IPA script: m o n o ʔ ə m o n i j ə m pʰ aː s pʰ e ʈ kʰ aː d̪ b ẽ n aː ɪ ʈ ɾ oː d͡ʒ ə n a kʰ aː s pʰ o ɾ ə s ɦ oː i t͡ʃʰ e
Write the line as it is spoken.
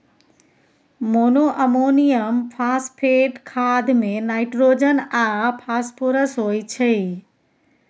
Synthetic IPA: m o n o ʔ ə m o n i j ə m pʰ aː s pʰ e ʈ kʰ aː d̪ m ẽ n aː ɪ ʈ ɾ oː d͡ʒ ə n a pʰ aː s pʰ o ɾ ə s ɦ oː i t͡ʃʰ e

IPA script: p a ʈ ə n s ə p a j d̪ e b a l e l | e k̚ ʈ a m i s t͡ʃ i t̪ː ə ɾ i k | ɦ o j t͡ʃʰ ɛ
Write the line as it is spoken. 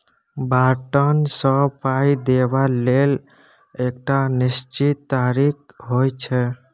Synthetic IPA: b a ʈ ə n s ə p a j d̪ e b a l e l | e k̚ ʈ a n i s t͡ʃ i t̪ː a ɾ i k | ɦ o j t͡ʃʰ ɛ

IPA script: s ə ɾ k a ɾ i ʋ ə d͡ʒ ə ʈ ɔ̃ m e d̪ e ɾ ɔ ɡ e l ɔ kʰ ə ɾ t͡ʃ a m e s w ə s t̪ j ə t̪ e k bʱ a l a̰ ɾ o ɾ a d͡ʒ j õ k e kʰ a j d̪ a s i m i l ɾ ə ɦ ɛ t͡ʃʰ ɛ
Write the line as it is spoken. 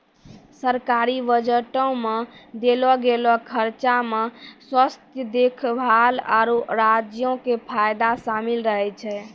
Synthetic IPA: s ə ɾ k a ɾ i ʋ ə d͡ʒ ə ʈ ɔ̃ m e d̪ e l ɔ ɡ e l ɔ kʰ ə ɾ t͡ʃ a m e s w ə s t̪ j ə d̪ e kʰ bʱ a l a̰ ɾ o ɾ a d͡ʒ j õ k e pʰ a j d̪ a s a m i l ɾ ə ɦ ɛ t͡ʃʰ ɛ

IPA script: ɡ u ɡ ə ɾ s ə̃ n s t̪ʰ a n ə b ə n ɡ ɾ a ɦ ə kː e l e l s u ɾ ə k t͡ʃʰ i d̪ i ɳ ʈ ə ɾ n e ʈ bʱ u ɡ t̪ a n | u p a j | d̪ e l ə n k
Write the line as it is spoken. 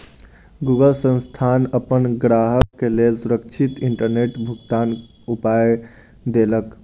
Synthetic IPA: ɡ u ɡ ə l s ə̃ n s t̪ʰ a n ə p ə n ɡ ɾ a ɦ ə kː e l e l s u ɾ ə k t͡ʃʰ i t̪ i ɳ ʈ ə ɾ n e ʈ bʱ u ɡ t̪ a n | u p a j | d̪ e l ə k

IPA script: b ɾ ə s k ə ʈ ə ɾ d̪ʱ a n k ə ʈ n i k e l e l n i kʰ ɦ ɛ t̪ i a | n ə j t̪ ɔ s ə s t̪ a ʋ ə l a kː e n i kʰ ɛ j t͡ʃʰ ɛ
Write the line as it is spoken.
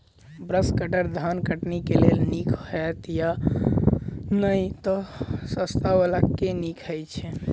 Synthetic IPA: b ɾ ə s k ə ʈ ə ɾ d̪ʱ a n k ə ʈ n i k e l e l n i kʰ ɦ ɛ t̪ j a | n ə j t̪ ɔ s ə s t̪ a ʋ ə l a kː e n i kʰ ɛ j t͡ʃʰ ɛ

